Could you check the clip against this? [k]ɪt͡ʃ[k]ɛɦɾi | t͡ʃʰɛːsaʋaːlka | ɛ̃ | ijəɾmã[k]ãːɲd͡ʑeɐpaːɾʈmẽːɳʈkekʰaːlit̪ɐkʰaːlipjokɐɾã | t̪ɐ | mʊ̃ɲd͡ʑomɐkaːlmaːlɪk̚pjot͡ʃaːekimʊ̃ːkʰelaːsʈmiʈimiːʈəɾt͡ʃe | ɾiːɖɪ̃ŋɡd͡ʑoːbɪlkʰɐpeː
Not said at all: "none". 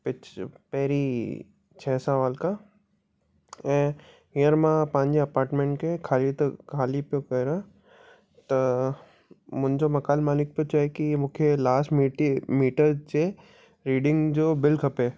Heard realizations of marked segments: p, p, p

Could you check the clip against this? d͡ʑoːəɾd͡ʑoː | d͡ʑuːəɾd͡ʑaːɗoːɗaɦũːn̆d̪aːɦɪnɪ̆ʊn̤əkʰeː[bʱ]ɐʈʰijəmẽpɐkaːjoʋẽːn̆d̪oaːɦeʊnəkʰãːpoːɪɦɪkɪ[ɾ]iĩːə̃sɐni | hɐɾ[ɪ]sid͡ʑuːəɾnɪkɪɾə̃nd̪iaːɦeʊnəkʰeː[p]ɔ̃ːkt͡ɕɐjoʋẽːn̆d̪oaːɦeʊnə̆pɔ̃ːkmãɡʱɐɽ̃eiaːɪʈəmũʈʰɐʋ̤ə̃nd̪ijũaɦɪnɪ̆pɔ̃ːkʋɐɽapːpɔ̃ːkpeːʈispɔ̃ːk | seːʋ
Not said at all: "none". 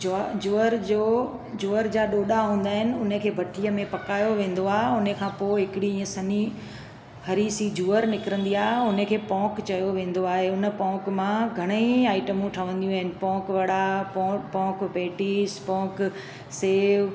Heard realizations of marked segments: bʱ, ɽ, i, p

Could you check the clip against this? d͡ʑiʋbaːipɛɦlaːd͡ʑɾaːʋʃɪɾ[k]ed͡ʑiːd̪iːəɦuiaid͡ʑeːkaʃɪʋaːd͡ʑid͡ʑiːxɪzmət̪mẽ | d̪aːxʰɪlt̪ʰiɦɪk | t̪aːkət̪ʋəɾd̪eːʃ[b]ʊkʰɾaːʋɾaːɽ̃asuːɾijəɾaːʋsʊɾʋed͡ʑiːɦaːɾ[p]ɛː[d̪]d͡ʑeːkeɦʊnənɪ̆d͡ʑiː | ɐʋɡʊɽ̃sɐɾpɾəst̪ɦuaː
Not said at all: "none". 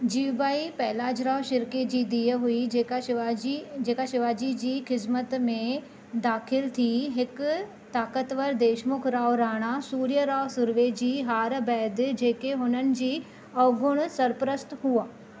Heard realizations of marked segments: k, m, b, d̪

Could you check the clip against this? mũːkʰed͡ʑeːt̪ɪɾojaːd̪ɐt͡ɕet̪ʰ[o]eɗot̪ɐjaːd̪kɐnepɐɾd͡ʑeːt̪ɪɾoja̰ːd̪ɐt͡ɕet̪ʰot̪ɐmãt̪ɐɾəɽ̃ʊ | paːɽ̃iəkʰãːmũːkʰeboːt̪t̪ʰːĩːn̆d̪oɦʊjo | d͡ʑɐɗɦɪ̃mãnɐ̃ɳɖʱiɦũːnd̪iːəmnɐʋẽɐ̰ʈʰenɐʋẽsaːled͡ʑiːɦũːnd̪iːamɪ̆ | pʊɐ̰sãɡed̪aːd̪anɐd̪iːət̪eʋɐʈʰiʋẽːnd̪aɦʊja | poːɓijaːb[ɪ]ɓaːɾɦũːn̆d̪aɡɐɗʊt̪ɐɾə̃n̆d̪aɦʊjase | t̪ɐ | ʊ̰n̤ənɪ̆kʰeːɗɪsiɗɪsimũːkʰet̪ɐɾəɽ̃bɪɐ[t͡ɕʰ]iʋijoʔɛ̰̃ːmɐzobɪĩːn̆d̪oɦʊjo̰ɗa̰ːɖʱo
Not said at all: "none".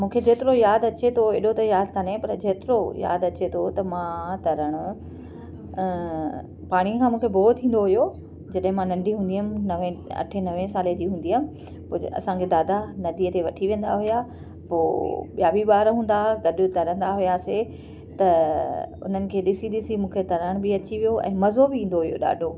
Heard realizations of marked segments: o, i, t͡ɕ

